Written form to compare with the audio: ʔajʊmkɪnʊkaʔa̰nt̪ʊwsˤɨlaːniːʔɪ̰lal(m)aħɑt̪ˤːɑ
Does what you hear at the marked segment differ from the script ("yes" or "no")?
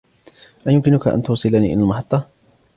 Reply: no